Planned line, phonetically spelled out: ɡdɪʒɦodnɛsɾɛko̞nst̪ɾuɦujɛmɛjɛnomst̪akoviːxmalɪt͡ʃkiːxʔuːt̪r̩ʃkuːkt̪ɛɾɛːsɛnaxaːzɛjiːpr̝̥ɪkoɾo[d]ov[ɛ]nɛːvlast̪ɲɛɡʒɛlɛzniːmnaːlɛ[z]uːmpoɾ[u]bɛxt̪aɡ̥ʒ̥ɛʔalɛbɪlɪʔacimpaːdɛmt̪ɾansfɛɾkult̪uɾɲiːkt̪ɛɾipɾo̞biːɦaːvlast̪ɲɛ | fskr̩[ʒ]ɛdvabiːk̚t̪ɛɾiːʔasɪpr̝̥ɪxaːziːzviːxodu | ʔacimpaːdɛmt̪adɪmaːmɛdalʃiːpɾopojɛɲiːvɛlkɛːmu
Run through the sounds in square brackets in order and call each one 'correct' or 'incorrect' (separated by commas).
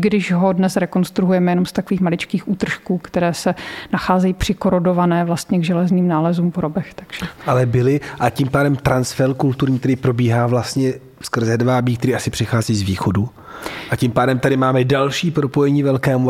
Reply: correct, incorrect, correct, incorrect, incorrect